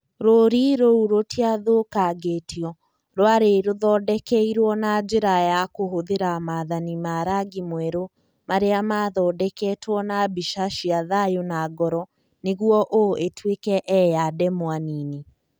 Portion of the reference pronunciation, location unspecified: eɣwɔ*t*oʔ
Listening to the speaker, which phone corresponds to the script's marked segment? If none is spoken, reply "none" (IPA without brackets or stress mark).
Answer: ʔ